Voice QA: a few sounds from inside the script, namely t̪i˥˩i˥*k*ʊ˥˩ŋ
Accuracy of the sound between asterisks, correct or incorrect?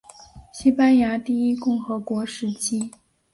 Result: correct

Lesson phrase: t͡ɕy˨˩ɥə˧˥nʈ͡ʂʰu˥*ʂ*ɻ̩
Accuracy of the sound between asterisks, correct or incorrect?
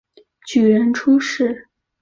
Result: correct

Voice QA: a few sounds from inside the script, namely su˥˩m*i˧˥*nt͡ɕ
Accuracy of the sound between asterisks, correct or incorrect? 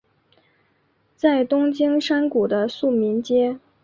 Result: correct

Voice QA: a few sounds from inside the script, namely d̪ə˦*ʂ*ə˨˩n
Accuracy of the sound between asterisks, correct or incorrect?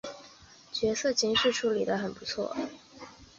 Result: incorrect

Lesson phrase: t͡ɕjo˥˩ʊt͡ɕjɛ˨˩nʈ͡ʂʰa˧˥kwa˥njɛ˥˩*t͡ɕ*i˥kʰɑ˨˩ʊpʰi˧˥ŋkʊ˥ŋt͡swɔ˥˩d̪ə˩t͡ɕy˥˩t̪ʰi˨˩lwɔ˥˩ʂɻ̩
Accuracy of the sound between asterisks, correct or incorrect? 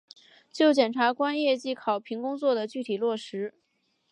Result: correct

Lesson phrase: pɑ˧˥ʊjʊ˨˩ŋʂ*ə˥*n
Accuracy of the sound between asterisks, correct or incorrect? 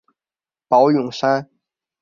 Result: incorrect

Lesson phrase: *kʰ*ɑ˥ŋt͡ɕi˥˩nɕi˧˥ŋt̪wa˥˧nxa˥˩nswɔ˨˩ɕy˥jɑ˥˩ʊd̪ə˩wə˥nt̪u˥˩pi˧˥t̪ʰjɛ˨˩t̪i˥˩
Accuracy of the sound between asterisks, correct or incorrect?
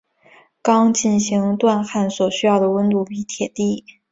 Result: incorrect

